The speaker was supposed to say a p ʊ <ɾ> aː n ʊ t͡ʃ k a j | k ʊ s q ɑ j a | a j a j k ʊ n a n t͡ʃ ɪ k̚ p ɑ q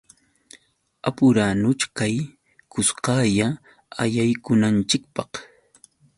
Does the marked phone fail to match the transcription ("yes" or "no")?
no